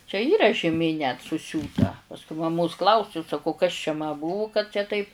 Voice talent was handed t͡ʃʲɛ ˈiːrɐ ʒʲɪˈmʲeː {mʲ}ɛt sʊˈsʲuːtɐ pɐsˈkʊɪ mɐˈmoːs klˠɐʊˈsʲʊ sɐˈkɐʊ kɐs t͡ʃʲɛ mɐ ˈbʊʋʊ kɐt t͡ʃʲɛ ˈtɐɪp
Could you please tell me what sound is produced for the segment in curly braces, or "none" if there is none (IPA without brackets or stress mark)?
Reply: nʲ